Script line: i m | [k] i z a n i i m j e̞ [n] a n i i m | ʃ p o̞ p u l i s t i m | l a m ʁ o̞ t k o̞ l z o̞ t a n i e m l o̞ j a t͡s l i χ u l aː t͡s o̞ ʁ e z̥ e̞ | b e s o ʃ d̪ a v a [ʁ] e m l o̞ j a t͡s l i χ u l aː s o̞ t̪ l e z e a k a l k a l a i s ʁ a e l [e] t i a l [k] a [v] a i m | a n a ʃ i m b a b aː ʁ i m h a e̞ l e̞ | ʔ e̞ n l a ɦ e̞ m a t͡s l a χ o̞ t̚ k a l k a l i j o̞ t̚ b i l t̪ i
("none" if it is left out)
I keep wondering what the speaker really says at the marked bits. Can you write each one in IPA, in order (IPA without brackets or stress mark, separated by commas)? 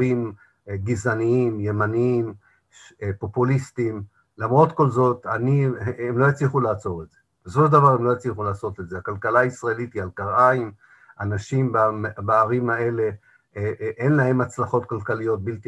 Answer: ɡ, m, ʁ, i, k, ʁ